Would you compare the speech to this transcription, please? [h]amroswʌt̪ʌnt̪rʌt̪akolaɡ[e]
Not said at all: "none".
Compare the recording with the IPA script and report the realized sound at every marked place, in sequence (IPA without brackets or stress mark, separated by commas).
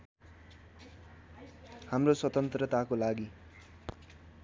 h, i